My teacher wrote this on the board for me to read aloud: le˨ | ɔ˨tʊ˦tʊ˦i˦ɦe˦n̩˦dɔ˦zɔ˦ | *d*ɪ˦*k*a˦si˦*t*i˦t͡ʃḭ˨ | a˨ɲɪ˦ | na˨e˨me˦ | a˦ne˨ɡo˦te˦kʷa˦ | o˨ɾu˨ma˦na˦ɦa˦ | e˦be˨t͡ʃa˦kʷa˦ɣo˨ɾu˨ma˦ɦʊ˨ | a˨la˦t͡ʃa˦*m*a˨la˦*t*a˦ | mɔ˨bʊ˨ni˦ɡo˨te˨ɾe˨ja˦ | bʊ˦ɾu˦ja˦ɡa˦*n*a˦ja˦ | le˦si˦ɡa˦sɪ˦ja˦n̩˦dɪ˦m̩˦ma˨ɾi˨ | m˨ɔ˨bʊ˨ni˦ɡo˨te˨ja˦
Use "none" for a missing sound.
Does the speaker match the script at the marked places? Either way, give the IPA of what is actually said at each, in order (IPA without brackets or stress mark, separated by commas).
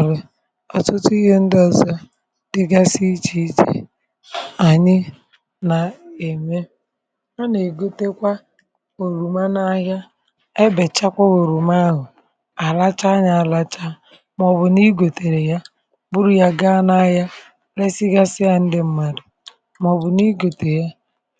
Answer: d, ɡ, t͡ʃ, ɲ, t͡ʃ, n